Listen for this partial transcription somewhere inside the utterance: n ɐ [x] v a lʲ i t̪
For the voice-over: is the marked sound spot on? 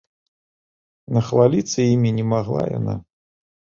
yes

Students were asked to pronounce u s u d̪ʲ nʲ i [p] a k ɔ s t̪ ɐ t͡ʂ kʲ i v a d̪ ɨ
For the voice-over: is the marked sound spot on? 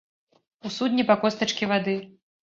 yes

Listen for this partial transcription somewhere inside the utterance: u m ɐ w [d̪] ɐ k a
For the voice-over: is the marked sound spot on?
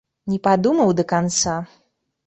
yes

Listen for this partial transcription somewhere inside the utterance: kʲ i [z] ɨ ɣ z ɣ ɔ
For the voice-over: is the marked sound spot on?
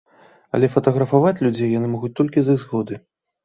yes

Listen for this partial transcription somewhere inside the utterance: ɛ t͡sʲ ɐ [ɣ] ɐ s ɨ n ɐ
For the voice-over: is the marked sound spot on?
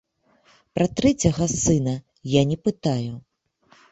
yes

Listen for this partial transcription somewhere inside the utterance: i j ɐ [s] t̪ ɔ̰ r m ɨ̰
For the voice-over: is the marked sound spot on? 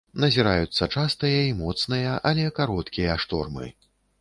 no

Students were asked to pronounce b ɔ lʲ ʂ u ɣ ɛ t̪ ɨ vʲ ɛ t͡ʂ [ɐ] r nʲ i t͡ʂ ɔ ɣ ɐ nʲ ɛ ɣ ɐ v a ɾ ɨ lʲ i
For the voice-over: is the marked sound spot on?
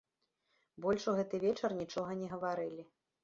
yes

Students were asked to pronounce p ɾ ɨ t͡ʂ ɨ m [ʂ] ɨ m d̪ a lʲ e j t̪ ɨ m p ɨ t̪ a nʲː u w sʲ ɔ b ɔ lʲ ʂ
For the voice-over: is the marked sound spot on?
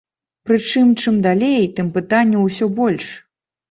no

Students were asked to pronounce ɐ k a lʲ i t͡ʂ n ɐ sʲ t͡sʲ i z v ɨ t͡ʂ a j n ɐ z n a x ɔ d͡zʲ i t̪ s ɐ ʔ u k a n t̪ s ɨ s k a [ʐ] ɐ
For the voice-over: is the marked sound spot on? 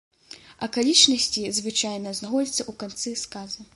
no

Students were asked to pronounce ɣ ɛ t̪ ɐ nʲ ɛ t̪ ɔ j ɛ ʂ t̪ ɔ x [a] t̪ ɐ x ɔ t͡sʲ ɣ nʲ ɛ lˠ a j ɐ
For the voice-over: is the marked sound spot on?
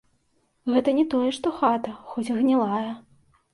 yes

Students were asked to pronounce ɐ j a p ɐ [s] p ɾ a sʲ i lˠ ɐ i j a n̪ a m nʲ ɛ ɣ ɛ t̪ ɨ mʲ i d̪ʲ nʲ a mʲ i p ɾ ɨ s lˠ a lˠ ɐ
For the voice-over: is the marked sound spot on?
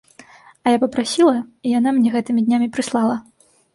no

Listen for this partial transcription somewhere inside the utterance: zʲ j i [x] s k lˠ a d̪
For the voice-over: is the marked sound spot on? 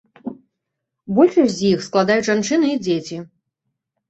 yes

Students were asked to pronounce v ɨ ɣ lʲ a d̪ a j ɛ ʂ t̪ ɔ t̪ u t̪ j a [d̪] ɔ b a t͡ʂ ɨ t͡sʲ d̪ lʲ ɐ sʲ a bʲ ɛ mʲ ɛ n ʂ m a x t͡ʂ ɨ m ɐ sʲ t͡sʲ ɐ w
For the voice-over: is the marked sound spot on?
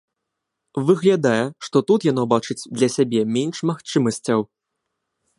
no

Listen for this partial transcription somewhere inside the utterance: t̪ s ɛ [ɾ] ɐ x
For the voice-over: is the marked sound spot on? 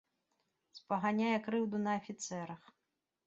yes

